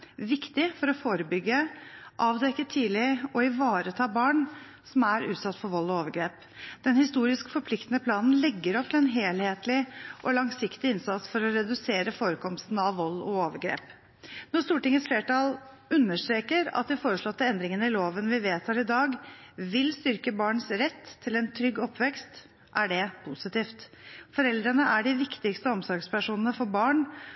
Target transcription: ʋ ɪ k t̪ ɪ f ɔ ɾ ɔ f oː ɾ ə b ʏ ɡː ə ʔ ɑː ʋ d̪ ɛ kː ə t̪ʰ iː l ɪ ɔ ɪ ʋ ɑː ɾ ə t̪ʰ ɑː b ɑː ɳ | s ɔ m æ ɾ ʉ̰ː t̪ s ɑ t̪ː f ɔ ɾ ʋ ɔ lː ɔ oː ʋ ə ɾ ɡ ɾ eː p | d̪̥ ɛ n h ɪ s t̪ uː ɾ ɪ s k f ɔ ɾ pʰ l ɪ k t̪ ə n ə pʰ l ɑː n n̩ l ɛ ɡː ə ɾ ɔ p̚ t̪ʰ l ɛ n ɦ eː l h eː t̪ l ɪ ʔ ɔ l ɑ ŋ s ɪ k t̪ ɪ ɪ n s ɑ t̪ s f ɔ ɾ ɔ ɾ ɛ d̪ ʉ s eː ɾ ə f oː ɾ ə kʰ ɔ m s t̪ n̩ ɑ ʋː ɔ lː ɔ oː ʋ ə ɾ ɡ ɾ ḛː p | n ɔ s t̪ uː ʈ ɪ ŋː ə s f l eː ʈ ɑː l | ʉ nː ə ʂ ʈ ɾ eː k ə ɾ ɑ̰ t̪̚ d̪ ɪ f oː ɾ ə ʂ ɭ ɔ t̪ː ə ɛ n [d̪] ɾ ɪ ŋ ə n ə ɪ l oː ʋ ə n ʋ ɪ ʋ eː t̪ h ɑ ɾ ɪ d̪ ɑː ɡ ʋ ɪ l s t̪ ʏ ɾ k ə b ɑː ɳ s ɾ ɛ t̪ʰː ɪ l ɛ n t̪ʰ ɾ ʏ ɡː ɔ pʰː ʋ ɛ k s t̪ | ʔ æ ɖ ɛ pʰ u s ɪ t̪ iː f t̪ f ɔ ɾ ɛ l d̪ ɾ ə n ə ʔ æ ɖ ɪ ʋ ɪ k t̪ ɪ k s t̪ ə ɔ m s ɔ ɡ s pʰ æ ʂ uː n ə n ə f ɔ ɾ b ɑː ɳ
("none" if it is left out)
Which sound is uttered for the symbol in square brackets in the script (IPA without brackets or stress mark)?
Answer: d̪